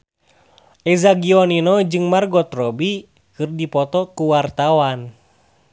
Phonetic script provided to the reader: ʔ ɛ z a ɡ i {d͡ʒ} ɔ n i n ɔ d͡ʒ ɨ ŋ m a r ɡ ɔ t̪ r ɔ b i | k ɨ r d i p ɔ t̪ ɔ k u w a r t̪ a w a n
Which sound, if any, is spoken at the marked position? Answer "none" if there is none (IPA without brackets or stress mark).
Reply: none